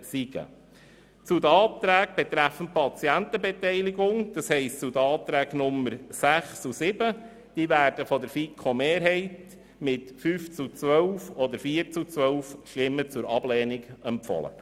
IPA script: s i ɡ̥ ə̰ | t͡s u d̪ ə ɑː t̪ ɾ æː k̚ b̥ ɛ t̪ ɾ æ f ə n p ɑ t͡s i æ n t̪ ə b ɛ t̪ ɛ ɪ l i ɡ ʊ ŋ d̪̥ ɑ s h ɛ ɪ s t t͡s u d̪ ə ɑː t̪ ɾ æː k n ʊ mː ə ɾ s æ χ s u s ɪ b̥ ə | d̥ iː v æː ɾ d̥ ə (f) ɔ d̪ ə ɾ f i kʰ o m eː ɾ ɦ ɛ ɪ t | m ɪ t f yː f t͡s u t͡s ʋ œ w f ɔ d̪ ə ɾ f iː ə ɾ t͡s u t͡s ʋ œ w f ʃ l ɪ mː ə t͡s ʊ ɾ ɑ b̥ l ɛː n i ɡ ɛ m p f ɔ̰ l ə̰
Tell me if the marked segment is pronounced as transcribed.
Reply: yes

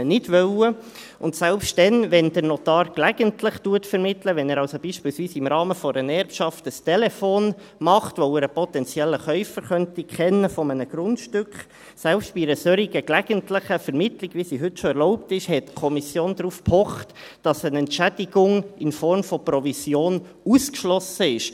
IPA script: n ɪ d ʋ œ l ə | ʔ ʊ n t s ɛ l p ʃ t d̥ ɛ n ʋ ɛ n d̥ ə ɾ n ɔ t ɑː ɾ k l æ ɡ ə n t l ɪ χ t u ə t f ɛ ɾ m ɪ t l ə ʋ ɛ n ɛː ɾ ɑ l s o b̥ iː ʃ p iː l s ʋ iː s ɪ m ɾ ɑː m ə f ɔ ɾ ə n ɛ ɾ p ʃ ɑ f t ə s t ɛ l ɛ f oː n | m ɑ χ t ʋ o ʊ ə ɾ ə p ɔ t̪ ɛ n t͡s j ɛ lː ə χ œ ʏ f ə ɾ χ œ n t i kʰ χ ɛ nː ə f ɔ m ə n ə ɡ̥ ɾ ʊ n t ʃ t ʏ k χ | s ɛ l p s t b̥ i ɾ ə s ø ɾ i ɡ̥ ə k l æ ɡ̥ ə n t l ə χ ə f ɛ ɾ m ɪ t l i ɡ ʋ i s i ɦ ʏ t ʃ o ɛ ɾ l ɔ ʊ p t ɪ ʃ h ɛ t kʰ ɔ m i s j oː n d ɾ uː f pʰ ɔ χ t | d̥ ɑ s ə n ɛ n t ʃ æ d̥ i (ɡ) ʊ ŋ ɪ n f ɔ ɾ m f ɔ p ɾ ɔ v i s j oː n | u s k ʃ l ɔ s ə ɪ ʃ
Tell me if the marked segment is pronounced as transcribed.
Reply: yes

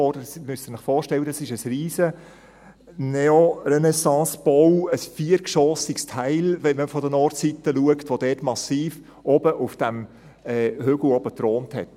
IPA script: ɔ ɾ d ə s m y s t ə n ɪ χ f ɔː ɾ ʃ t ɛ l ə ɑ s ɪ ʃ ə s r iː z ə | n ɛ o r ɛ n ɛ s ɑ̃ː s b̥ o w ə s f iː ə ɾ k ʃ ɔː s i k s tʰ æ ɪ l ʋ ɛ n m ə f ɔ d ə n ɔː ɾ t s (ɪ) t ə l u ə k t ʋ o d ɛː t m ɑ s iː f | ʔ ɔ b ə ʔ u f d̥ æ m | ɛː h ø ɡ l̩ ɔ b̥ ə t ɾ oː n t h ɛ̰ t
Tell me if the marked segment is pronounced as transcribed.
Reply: no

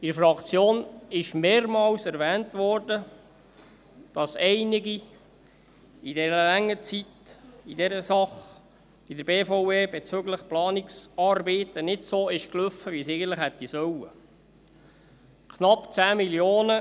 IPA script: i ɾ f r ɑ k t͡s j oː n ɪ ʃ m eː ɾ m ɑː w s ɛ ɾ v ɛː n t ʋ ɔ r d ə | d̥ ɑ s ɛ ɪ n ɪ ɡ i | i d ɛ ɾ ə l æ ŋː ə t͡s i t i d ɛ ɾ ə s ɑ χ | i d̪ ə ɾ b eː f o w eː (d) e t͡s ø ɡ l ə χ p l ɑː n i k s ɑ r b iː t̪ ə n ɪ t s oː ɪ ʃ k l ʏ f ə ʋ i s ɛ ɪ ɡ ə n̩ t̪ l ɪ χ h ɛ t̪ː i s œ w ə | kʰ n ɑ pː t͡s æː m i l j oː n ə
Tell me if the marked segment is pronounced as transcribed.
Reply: no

